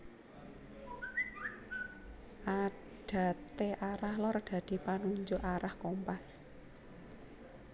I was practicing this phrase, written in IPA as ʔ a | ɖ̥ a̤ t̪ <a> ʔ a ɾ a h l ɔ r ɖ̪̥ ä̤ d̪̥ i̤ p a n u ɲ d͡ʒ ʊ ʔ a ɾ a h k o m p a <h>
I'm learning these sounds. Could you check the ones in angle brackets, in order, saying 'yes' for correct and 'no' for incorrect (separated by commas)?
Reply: no, no